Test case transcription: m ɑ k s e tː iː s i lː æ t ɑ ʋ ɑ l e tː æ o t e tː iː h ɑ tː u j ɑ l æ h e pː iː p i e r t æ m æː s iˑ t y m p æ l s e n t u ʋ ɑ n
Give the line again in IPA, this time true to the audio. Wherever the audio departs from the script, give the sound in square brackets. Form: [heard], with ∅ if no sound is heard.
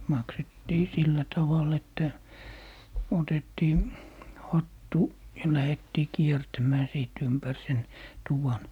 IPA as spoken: m ɑ k s e tː iː s i lː æ t ɑ ʋ ɑ l e tː æ o t e tː iː h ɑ tː u j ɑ l æ h e [tː] iː [k] i e r t æ m æː s iˑ t y m p æ [r] s e n t u ʋ ɑ n

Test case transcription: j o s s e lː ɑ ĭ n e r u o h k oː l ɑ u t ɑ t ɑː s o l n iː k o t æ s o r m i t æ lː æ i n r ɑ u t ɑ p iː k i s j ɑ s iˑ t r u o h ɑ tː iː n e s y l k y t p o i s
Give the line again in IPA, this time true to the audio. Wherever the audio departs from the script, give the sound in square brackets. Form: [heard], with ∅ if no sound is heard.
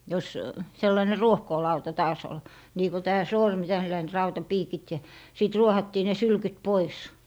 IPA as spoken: j o s s e lː ɑ ĭ n e r u o h k oː l ɑ u t ɑ t ɑː s o l n iː k o t [æː] s o r m i t æ lː æ i n r ɑ u t ɑ p iː k i [t] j ɑ s iˑ t r u o h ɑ tː iː n e s y l k y t p o i s

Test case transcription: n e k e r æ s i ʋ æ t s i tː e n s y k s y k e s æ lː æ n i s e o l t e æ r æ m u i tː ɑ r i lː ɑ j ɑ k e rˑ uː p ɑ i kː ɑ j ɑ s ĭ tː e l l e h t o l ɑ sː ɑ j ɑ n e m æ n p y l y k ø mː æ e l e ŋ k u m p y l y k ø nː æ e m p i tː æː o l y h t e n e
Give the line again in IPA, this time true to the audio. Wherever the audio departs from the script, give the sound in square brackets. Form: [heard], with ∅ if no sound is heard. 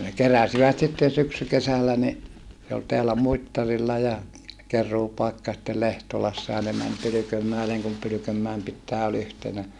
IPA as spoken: n e k e r æ s i ʋ æ t s i tː e n s y k s y k e s æ lː æ n i s e o l t e æ [l] æ m u i tː ɑ r i lː ɑ j ɑ k e rˑ uː p ɑ i kː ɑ j ɑ s ĭ tː e l l e h t o l ɑ sː ɑ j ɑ n e m æ n p y l y k ø mː æ e l e ŋ k u m p y l y k ø [mː] æ e m p i tː æː o l y h t e n [æ]

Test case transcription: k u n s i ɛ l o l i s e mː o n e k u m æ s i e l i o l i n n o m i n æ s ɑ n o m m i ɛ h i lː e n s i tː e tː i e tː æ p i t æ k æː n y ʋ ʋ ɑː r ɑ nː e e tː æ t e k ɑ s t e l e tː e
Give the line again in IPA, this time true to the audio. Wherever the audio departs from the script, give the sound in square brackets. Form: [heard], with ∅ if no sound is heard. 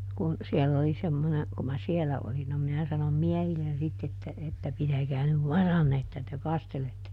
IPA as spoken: k u n s i ɛ [lː] o l i s e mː o n e k u m æ s i e l [æ] o l i n n o m i n æ s ɑ n o m m i ɛ h i lː e n s i tː e tː [æ] e tː æ p i t æ k æː n y ʋ ʋ [ɑ] r ɑ nː e e tː æ t e k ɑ s t e l e tː e

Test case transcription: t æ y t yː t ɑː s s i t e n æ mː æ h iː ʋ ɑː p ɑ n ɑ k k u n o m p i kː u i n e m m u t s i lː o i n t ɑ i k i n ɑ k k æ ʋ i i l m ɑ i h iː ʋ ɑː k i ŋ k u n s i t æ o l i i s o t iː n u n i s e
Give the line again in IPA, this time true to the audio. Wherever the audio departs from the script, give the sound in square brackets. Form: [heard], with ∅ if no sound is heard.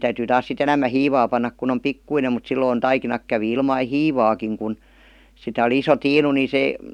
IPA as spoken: t æ y t yː t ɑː s s i t e n æ mː æ h iː ʋ ɑː p ɑ [nː] ɑ k k u n o m p i kː u i n e m m u t s i lː o i n t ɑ i k i n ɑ k k æ ʋ i i l m ɑ i h iː ʋ ɑː k i ŋ k u n s i t æ o l i i s o t iː n u n i s e

